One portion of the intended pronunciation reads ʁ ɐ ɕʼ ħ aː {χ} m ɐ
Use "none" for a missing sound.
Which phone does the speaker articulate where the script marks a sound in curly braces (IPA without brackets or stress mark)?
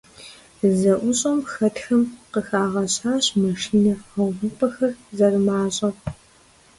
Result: ɕ